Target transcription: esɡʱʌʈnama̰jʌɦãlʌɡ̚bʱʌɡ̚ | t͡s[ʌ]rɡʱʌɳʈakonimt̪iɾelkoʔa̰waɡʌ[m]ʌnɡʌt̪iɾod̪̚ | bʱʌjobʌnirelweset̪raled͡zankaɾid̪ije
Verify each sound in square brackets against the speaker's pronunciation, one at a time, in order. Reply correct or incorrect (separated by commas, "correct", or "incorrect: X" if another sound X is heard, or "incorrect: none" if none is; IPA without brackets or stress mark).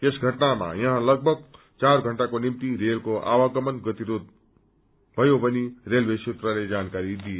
incorrect: a, correct